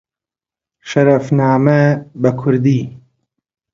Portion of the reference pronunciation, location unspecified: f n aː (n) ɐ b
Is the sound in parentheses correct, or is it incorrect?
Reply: incorrect